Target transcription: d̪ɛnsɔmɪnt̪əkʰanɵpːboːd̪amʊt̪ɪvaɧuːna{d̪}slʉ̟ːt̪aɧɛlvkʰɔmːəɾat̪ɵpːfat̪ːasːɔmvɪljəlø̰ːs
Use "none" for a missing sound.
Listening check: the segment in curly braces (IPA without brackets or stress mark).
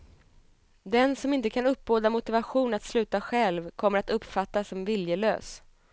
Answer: t̪